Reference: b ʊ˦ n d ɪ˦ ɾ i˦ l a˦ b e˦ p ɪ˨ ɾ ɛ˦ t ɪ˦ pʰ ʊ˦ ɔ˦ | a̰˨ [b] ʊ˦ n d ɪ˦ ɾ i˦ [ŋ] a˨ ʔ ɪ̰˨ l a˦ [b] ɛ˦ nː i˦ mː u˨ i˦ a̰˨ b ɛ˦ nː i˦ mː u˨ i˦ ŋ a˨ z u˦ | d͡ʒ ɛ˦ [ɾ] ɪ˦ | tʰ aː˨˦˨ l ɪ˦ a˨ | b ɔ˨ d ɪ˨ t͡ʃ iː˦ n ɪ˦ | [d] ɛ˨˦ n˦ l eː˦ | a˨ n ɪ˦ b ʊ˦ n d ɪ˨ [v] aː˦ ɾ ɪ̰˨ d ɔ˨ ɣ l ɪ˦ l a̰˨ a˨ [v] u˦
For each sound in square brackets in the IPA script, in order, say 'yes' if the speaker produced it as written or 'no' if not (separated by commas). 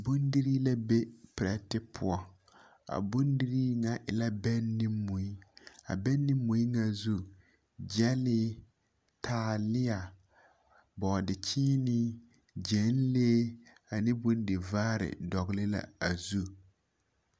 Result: yes, yes, yes, no, no, yes, no